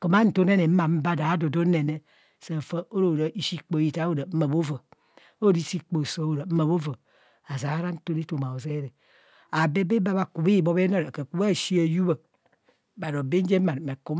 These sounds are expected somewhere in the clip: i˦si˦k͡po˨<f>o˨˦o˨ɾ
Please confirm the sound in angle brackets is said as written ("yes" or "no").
no